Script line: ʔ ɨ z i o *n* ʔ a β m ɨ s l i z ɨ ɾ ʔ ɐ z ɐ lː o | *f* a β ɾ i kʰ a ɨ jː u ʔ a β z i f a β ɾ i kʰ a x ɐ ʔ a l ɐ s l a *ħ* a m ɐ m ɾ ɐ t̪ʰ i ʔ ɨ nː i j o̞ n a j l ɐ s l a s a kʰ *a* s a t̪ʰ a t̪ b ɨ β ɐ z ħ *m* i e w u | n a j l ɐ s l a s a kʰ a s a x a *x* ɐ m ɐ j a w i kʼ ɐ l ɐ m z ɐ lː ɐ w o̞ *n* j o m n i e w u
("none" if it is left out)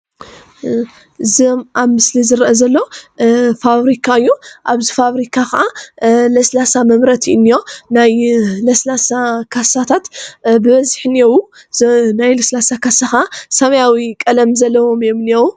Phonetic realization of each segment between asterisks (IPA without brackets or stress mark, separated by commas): m, f, s, a, n, s, m